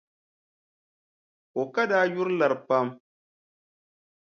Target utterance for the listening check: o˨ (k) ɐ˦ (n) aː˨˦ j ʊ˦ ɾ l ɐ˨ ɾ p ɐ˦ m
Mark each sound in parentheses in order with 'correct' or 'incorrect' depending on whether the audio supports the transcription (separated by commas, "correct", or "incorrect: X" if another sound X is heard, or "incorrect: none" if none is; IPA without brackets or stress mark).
correct, incorrect: d